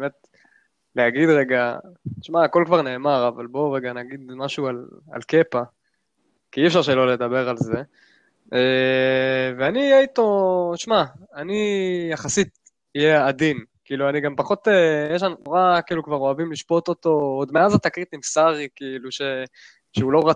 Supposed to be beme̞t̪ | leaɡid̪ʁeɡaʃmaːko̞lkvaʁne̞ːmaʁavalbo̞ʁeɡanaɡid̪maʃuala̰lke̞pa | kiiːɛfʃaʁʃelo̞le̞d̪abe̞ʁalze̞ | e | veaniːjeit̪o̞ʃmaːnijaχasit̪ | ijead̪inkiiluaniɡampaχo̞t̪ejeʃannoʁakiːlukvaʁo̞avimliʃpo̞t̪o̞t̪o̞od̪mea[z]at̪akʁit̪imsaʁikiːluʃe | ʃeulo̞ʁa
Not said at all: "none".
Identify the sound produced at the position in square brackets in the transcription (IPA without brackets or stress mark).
z